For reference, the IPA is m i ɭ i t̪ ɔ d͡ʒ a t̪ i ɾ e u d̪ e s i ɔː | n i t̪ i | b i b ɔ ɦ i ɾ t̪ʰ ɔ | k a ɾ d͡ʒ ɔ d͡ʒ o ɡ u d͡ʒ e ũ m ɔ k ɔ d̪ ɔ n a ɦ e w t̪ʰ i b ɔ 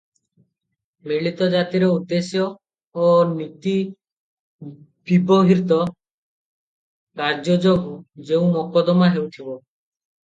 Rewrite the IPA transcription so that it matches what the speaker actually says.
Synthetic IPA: m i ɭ i t̪ ɔ d͡ʒ a t̪ i ɾ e u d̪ e s j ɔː | n i t̪ i | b i b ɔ ɦ i ɾ t̪ ɔ | k a ɾ d͡ʒ ɔ d͡ʒ o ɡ u d͡ʒ e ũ m ɔ k ɔ d̪ ɔ m a ɦ e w t̪ʰ i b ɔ